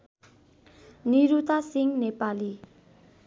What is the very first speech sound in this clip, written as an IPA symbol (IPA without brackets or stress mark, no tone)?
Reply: n